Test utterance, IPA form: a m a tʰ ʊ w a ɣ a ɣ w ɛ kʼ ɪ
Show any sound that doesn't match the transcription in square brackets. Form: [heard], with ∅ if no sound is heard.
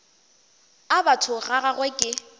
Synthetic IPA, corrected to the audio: a [b] a tʰ ʊ [ɣ] a ɣ a ɣ w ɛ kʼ ɪ